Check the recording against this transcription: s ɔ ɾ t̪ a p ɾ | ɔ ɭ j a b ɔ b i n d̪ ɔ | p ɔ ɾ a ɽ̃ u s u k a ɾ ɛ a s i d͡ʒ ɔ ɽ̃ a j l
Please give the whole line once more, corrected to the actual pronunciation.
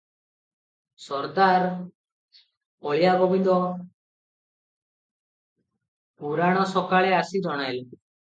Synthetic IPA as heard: s ɔ ɾ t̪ a ɾ | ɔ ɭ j a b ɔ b i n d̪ ɔ | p u ɾ a ɽ̃ ɔ s ɔ k a ɭ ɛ a s i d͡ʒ ɔ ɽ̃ a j l